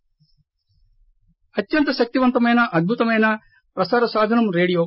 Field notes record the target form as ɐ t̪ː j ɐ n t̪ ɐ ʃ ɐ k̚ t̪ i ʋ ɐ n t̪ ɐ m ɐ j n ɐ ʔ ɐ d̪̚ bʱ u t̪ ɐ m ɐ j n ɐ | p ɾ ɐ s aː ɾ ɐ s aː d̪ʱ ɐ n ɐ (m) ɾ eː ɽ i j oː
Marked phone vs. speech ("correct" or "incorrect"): correct